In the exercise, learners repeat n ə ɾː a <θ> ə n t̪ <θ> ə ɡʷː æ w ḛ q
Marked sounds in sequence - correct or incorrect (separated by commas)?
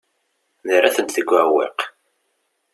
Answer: correct, correct